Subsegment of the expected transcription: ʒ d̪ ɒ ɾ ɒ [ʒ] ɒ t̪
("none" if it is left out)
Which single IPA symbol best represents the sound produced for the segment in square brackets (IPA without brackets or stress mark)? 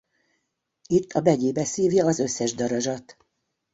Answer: ʒ